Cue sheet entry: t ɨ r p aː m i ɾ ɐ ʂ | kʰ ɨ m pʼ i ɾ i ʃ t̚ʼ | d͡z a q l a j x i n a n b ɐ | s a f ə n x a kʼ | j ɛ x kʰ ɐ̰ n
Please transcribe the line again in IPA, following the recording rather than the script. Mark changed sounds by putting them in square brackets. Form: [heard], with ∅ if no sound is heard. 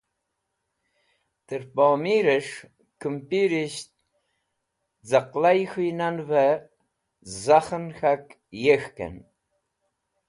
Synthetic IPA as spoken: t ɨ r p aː m i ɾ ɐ ʂ | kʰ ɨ m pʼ i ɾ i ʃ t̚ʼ | d͡z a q l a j x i n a n [v] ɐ | [z] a [χ] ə n x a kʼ | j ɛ x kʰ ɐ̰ n